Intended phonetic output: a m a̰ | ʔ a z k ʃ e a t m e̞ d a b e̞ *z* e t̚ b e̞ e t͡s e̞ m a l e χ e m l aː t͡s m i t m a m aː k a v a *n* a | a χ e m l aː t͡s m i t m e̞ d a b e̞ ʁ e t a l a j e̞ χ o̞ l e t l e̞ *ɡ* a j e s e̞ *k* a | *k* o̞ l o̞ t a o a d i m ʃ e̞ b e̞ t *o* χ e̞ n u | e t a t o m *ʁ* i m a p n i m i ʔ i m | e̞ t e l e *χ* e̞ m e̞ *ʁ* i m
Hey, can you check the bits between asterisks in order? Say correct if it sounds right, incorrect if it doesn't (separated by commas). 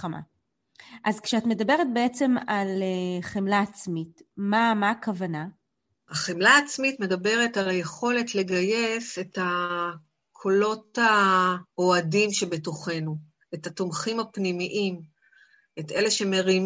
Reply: incorrect, correct, correct, incorrect, incorrect, correct, incorrect, incorrect, correct